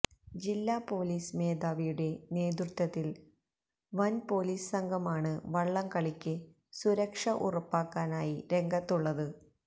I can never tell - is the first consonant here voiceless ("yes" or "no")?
no